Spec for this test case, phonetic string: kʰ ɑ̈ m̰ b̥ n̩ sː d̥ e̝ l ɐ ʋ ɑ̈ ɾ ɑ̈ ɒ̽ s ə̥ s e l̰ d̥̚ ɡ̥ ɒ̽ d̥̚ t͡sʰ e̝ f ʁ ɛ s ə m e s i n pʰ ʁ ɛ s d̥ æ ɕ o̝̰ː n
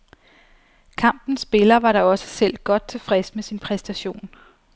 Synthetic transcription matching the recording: kʰ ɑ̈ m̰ b̥ n̩ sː b̥ e̝ l ɐ ʋ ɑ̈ ɾ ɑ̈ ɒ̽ s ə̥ s e l̰ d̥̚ ɡ̥ ɒ̽ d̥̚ t͡sʰ e̝ f ʁ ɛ s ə m e s i n pʰ ʁ ɛ s d̥ æ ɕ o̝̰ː n